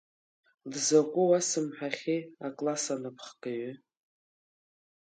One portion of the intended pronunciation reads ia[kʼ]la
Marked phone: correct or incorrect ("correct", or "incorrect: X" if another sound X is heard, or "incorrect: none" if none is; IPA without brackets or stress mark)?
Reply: correct